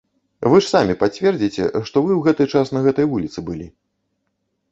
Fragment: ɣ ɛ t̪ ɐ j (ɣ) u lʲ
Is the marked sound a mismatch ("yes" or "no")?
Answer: yes